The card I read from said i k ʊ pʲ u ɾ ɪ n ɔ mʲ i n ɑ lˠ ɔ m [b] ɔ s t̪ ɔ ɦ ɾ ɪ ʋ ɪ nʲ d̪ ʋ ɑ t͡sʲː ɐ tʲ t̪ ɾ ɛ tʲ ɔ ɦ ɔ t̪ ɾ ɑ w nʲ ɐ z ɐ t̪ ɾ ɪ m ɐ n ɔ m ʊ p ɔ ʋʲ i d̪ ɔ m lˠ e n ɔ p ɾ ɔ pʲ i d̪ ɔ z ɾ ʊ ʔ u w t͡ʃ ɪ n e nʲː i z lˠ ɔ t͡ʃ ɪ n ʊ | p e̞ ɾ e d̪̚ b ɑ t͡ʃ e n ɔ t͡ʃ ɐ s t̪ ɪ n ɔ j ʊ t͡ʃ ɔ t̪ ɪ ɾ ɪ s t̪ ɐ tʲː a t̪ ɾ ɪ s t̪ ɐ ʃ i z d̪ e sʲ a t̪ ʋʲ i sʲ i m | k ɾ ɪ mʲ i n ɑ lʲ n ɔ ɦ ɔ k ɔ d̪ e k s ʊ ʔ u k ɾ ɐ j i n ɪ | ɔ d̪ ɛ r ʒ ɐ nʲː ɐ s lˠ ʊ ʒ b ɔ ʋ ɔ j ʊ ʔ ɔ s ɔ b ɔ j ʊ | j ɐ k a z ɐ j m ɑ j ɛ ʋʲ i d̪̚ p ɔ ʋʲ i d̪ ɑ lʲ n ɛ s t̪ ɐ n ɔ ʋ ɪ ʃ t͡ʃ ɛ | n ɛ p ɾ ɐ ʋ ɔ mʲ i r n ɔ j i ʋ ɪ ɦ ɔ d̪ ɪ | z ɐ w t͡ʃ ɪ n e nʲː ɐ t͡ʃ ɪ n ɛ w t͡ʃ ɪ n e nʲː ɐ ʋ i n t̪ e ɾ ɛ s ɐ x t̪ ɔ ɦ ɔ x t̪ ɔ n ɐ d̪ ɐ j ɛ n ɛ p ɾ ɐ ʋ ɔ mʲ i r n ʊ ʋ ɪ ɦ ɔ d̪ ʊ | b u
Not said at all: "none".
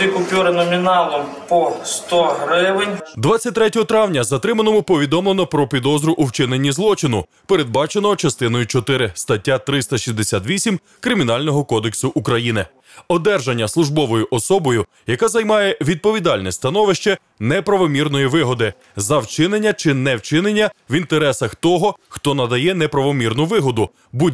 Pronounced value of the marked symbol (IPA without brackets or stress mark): p